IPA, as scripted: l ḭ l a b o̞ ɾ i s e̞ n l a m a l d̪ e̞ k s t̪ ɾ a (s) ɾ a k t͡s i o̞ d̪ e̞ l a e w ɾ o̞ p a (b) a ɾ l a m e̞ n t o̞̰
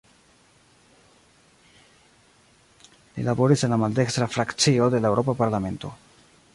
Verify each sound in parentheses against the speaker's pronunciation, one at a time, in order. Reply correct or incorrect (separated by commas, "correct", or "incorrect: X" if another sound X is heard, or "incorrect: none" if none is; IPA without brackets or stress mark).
incorrect: f, incorrect: p